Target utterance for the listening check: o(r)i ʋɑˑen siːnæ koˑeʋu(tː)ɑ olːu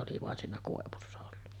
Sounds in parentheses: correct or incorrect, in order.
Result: incorrect: l, incorrect: sː

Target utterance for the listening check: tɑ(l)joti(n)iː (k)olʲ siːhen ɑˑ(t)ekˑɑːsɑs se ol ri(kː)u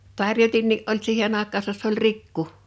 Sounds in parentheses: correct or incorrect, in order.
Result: incorrect: r, incorrect: nː, incorrect: ʔ, incorrect: none, correct

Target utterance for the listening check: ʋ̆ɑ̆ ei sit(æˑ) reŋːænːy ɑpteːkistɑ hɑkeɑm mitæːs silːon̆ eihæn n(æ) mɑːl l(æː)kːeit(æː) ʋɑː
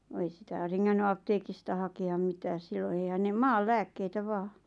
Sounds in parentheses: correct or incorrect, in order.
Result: correct, incorrect: e, correct, incorrect: æ

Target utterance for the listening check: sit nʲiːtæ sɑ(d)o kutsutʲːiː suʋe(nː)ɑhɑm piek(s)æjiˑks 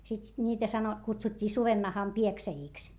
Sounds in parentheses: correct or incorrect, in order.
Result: incorrect: n, correct, correct

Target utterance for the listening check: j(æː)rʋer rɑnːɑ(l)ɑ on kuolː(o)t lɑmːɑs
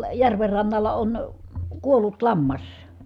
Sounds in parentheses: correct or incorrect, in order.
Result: incorrect: æ, incorrect: lː, incorrect: u

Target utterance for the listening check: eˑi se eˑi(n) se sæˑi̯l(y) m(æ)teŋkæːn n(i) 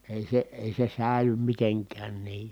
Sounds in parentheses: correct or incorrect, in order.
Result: incorrect: none, correct, incorrect: i, incorrect: iː

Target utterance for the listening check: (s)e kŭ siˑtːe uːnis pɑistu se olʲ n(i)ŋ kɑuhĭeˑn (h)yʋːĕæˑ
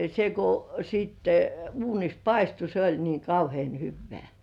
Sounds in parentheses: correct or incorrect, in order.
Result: correct, incorrect: iː, correct

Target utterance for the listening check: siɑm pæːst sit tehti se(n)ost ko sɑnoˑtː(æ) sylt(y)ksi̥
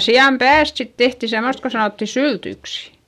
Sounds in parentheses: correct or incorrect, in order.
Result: incorrect: m, incorrect: i, correct

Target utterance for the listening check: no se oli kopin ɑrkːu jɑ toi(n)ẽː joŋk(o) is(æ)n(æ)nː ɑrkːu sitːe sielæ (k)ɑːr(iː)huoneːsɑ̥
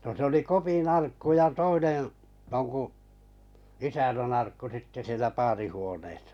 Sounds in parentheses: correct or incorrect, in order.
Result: correct, incorrect: u, correct, correct, incorrect: p, incorrect: i

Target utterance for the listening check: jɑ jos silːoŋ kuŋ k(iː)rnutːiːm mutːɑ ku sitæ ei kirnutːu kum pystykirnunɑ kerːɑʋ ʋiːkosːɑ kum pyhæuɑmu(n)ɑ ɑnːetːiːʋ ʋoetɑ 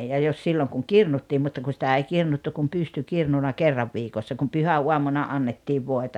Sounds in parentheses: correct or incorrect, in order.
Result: incorrect: i, correct

